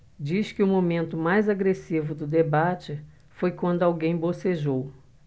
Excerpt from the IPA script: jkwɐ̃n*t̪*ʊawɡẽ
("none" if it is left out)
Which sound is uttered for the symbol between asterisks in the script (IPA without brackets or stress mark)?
d̪